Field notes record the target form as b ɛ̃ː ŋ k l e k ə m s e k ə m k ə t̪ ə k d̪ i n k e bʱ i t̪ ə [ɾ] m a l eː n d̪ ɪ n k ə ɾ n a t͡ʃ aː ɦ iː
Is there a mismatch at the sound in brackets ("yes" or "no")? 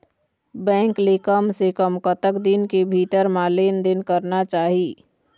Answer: no